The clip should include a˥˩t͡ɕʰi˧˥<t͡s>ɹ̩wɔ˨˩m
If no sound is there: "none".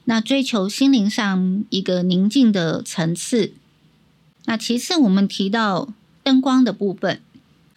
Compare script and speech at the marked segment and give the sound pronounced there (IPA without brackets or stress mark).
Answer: t͡sʰ